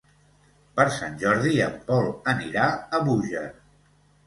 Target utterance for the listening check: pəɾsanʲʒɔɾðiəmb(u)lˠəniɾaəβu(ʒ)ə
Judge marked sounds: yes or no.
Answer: no, yes

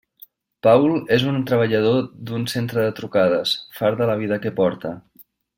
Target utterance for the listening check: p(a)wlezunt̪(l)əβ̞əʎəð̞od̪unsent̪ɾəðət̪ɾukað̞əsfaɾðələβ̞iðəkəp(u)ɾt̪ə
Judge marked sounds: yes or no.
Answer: yes, no, no

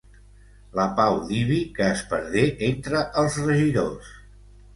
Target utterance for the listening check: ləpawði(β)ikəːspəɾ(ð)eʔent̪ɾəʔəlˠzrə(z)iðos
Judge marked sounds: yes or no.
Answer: yes, yes, no

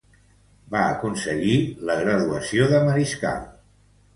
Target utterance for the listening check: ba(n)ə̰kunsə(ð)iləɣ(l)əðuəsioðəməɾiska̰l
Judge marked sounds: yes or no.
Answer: no, no, no

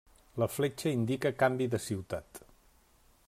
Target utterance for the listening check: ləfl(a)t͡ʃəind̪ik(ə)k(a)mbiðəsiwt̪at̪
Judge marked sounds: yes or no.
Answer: no, yes, yes

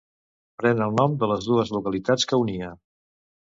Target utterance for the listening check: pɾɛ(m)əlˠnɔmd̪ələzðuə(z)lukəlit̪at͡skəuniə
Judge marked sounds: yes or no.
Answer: no, yes

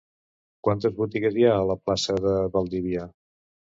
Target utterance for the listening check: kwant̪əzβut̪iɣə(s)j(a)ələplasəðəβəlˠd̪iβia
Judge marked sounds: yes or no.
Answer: no, yes

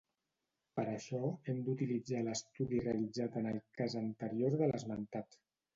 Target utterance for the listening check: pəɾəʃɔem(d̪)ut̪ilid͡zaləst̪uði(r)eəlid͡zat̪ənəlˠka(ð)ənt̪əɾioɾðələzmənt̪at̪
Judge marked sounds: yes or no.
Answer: yes, yes, no

